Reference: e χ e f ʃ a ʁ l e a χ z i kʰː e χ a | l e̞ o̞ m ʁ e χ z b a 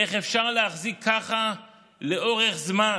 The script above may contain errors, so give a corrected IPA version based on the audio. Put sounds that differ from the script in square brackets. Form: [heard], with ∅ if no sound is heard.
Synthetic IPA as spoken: e χ e f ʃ a ʁ l e a χ z i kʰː [a] χ a | l e̞ o̞ [∅] ʁ e χ z [m] a